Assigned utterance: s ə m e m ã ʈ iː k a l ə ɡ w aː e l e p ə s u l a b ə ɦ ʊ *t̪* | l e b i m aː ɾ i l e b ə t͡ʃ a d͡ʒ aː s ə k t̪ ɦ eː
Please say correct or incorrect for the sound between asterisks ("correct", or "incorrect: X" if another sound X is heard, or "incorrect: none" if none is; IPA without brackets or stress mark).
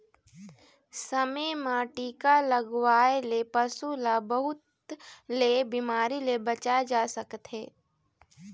correct